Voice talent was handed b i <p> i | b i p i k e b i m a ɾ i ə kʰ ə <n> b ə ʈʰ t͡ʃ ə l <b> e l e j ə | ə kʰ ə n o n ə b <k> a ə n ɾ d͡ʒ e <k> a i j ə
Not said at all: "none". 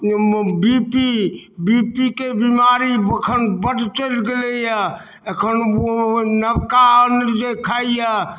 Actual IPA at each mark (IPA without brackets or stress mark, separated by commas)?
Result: p, n, ɡ, k, kʰ